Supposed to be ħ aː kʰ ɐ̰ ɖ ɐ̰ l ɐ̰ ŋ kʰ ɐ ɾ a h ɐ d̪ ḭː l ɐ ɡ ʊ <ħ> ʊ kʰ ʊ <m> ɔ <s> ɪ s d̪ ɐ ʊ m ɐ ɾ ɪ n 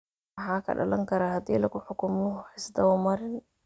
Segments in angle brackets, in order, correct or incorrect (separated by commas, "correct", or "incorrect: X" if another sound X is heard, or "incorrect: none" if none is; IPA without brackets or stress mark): correct, correct, incorrect: ħ